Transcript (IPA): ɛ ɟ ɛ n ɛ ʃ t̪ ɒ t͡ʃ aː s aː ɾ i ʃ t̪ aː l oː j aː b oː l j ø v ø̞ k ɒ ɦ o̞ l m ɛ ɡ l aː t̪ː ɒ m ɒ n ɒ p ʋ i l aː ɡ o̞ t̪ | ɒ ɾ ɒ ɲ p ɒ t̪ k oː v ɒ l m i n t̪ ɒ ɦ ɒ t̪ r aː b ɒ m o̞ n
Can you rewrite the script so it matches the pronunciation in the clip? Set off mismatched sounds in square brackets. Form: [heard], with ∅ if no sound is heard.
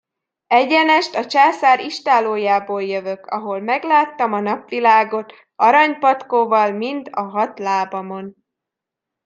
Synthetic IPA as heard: ɛ ɟ ɛ n ɛ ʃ t̪ ɒ t͡ʃ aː s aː ɾ i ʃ t̪ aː l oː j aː b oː l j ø v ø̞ k ɒ ɦ o̞ l m ɛ ɡ l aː t̪ː ɒ m ɒ n ɒ p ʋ i l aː ɡ o̞ t̪ | ɒ ɾ ɒ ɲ p ɒ t̪ k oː v ɒ l m i n t̪ ɒ ɦ ɒ t̪ [l] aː b ɒ m o̞ n